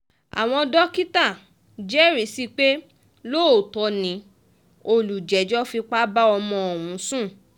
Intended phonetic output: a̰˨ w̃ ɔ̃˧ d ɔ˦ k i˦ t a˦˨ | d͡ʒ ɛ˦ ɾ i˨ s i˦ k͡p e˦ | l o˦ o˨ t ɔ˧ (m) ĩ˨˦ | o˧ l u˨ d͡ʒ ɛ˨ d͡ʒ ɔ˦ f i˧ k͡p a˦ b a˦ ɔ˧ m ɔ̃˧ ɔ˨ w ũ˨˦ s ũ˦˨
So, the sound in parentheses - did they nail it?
no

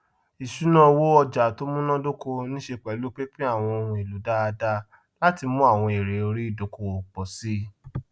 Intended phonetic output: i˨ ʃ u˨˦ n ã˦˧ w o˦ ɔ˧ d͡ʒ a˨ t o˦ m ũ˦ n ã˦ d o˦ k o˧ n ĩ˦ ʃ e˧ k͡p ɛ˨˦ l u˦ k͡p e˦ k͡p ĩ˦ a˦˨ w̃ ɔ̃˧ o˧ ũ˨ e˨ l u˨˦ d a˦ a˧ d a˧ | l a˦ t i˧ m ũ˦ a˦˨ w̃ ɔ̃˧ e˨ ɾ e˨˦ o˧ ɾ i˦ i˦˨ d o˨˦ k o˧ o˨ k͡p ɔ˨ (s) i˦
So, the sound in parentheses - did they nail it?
yes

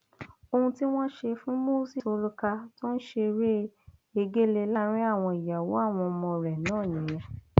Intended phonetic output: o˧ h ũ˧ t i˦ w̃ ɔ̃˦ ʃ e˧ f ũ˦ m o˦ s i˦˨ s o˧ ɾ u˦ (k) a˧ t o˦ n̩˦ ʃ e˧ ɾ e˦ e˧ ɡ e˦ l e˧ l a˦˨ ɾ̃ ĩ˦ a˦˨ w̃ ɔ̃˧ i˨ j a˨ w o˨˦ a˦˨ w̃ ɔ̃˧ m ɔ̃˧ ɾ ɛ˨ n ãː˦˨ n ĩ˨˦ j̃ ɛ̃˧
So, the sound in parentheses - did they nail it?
yes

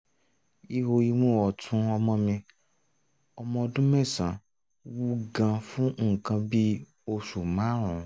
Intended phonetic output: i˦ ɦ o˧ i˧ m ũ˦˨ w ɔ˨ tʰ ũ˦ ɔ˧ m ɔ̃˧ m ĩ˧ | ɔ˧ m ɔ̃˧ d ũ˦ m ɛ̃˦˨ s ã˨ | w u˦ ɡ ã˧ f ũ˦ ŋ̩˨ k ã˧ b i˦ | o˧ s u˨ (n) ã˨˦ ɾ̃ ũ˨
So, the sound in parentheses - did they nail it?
no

